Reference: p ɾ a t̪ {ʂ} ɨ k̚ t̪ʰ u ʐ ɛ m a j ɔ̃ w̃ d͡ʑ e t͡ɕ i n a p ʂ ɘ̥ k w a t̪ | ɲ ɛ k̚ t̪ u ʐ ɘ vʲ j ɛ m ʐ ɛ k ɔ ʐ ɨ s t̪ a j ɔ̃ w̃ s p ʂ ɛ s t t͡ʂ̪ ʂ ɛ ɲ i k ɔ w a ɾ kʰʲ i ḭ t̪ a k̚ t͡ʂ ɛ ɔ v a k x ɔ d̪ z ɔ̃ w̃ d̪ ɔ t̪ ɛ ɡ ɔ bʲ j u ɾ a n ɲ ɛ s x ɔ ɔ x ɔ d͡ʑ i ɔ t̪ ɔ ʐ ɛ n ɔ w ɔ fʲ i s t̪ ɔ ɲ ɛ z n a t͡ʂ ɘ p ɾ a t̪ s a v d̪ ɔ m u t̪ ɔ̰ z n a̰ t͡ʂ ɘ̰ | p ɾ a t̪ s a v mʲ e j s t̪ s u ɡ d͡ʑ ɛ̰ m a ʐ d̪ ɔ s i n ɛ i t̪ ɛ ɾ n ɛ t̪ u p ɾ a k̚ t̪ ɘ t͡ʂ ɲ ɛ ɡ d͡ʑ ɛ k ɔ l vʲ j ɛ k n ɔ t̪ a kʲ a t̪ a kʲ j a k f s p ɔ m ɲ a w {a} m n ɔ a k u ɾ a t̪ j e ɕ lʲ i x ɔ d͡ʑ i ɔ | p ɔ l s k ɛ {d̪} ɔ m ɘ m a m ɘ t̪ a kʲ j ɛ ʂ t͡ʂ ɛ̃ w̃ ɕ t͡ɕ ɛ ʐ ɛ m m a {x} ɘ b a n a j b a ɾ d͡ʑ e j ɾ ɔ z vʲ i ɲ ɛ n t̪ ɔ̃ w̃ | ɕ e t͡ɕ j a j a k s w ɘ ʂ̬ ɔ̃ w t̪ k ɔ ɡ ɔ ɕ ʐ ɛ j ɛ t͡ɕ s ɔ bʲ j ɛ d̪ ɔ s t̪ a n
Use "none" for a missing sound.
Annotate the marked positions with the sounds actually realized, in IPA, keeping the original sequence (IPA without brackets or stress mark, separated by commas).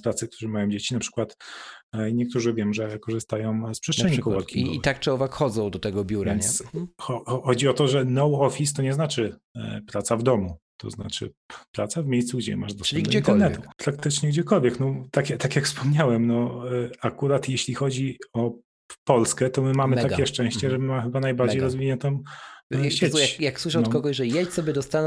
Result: s, ɛ, t̪, x